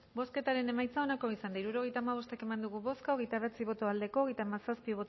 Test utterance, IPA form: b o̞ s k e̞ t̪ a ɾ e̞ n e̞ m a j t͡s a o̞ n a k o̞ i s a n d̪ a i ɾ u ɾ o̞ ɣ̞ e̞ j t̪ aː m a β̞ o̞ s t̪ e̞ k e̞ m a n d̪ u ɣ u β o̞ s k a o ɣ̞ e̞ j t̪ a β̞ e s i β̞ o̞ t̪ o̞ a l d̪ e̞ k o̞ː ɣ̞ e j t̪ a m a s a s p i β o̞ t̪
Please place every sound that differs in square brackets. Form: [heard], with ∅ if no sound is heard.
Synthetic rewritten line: b o̞ s k e̞ t̪ a ɾ e̞ n e̞ m a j t͡s a o̞ n a k o̞ i s a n d̪ a i ɾ u ɾ o̞ ɣ̞ e̞ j t̪ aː m a β̞ o̞ s t̪ e̞ k e̞ m a n d̪ u ɣ u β o̞ s k a o ɣ̞ e̞ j t̪ a β̞ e [t͡s] i β̞ o̞ t̪ o̞ a l d̪ e̞ k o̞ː ɣ̞ e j t̪ a m a s a s p i β o̞ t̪